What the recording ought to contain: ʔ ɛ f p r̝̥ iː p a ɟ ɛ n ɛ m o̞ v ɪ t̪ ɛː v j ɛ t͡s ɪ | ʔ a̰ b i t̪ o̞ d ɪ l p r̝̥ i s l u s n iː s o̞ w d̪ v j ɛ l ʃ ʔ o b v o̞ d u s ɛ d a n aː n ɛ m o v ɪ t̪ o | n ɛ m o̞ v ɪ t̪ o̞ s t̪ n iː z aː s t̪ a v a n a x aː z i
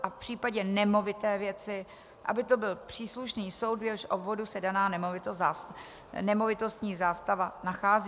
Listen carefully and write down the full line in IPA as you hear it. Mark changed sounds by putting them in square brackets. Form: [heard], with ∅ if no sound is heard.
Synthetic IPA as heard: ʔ [a] f p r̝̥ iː p a ɟ ɛ n ɛ m o̞ v ɪ t̪ ɛː v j ɛ t͡s ɪ | ʔ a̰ b [ɪ] t̪ o̞ [b] ɪ l p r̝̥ [iː] s l u [ʃ] n iː s o̞ w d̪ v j ɛ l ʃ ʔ o b v o̞ d u s ɛ d a n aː n ɛ m o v ɪ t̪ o | n ɛ m o̞ v ɪ t̪ o̞ s t̪ [ɲ] iː z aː s t̪ a v a n a x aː z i